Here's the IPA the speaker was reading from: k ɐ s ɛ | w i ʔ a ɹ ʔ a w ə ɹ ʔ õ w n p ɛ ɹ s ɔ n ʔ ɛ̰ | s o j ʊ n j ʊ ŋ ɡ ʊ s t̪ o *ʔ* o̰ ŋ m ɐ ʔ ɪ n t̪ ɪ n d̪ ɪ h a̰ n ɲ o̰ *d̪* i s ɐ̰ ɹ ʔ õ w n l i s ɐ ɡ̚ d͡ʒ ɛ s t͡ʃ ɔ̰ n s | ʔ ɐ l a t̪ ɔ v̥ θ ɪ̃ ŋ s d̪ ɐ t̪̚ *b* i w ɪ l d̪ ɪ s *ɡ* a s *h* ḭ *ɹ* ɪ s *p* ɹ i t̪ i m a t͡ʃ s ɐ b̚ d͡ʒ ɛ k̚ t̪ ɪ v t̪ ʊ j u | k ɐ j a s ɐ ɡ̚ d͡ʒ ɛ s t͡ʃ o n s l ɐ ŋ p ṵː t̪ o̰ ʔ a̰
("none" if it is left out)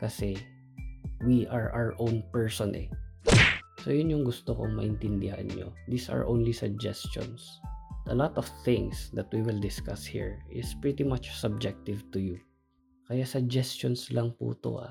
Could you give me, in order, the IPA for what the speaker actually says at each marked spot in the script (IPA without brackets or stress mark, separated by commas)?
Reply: k, d̪, w, k, h, ɹ, p